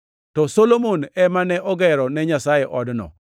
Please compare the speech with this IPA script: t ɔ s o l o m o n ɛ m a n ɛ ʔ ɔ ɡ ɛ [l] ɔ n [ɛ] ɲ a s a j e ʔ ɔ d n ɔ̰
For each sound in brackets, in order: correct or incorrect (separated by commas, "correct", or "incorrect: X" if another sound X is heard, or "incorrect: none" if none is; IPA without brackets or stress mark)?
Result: incorrect: ɾ, correct